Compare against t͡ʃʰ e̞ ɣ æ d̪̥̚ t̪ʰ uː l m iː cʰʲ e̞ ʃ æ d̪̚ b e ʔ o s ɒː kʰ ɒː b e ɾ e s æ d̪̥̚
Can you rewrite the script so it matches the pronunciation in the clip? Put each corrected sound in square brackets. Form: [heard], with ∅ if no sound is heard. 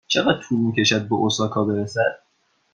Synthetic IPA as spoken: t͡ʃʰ e̞ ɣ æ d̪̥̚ t̪ʰ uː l m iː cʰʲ e̞ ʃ æ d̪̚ b e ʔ o s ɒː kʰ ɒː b e ɾ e s æ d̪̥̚